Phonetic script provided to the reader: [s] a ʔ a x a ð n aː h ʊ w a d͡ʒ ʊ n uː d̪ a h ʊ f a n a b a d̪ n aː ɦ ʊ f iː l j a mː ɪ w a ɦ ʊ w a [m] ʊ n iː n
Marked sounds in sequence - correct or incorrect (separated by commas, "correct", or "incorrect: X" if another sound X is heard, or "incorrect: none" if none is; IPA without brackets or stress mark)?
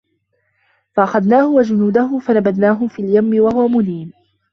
incorrect: f, correct